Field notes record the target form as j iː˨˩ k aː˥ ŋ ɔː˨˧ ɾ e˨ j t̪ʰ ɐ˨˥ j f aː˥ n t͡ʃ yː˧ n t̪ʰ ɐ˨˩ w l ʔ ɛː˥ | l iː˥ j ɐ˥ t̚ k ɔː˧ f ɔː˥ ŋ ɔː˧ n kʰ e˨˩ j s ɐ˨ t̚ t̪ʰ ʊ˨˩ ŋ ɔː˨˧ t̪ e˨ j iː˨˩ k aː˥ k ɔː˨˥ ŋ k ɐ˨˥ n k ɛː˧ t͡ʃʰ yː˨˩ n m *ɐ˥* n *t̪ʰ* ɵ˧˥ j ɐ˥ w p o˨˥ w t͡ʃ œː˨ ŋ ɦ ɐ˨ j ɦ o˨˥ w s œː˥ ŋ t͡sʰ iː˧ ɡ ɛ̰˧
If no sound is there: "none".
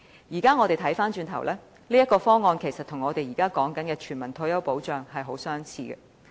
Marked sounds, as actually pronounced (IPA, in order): ɐ˨˩, t̪ʰ

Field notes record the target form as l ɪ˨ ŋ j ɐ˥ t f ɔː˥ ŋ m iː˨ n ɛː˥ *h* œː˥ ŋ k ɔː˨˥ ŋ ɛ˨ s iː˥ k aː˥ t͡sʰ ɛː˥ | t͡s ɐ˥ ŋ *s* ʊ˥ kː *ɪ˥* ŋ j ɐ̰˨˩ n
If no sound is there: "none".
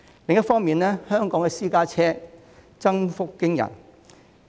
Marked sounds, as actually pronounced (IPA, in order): h, f, ɪ˥

